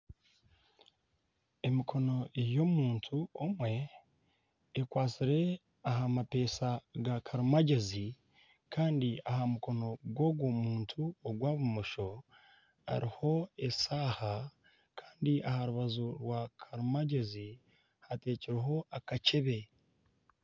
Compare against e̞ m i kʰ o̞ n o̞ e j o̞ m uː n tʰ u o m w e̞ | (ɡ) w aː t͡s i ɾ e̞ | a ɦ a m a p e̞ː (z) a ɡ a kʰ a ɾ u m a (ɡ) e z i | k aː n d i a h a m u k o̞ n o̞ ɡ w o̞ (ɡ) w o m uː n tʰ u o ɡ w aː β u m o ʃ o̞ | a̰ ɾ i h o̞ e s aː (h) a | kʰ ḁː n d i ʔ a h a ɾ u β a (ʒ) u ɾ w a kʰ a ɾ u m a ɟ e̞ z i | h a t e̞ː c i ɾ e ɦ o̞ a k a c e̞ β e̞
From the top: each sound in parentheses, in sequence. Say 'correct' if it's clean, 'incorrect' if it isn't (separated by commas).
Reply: incorrect, incorrect, incorrect, correct, correct, incorrect